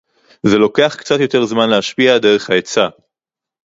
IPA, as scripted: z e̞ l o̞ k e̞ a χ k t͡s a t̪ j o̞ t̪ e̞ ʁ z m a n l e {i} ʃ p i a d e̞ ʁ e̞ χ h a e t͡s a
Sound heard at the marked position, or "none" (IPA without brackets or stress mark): a